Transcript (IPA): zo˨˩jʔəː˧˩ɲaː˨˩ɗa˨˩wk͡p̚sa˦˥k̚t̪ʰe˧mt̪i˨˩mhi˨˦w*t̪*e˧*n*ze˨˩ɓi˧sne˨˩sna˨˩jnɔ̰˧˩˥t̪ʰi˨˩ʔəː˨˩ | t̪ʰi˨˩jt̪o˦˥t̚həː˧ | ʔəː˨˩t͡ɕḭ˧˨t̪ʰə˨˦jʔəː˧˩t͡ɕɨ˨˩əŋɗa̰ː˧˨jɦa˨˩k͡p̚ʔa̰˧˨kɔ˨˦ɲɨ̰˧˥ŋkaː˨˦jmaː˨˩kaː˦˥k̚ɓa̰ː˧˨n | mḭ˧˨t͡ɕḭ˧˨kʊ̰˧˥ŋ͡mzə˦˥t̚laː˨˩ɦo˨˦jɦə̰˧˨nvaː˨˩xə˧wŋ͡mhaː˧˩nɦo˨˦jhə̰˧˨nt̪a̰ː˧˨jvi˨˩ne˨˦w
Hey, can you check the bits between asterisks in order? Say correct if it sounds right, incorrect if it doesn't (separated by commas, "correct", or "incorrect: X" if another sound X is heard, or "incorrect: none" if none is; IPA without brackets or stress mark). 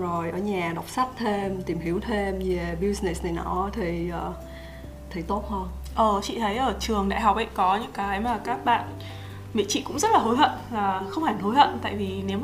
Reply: incorrect: t̪ʰ, incorrect: m